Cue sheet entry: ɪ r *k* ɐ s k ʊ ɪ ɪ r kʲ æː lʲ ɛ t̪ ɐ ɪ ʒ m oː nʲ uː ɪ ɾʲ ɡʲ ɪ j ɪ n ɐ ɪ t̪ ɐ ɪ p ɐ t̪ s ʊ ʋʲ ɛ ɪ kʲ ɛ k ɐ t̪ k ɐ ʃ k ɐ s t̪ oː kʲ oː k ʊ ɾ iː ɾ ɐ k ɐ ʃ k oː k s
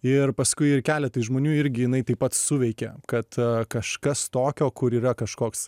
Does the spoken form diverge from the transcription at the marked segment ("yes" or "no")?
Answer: yes